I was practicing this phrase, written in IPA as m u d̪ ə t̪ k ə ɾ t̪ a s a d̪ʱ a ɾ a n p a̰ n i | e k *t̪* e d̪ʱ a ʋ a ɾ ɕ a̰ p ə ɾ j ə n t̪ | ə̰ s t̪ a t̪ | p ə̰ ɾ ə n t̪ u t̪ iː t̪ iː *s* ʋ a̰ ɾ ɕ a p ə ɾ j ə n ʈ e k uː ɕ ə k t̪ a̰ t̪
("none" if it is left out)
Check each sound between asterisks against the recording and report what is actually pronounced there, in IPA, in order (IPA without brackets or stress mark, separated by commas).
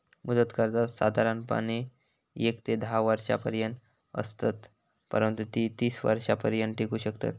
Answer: t̪, s